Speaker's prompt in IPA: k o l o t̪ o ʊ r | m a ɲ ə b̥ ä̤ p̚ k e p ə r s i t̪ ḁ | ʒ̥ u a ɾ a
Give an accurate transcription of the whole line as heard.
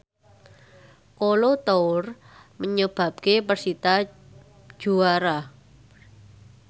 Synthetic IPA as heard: k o l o t̪ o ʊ r | m ə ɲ ə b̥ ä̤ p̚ k e p ə r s i t̪ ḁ | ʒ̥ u a ɾ a